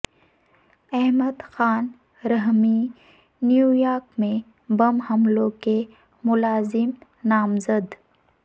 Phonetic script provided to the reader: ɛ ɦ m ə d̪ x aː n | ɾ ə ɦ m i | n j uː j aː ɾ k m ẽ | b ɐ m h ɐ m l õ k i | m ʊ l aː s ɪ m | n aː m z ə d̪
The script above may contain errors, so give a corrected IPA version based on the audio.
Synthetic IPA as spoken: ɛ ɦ m ə d̪ x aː n | ɾ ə ɦ m i | n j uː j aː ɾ k m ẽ | b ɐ m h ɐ m l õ k e | m ʊ l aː z ɪ m | n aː m z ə d̪